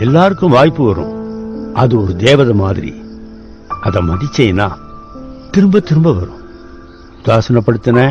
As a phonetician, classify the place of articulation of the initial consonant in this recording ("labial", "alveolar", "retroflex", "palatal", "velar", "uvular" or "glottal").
alveolar